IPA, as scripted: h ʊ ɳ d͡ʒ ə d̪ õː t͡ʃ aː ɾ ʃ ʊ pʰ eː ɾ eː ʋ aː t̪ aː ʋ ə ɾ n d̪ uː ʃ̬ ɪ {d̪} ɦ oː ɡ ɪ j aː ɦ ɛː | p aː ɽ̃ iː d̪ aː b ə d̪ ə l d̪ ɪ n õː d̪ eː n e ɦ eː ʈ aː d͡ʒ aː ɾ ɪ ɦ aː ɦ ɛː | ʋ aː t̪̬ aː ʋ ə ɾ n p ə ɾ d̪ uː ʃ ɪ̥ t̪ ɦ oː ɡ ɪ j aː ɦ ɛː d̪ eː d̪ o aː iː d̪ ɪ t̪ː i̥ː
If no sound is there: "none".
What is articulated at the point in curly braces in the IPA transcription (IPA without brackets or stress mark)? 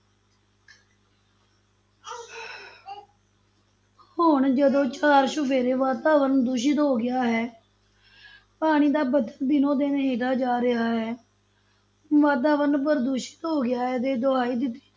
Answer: t̪